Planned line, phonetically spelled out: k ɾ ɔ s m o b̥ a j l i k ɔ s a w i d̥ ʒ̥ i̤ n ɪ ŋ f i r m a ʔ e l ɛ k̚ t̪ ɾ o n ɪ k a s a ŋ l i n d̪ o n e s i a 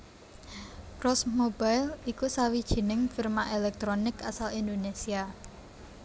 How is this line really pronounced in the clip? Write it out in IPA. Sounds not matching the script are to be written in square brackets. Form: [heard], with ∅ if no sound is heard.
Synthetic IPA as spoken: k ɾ ɔ s m o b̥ a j l i k [u] s a w i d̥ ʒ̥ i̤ n ɪ ŋ f i r m a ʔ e l ɛ k̚ t̪ ɾ o n ɪ k a s a [∅] l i n d̪ o n e s i a